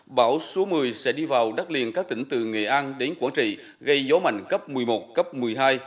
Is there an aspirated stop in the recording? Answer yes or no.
no